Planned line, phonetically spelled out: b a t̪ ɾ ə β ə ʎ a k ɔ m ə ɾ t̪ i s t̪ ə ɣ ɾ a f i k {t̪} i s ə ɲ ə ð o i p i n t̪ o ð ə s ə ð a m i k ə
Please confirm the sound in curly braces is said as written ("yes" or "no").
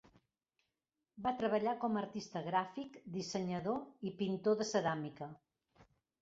no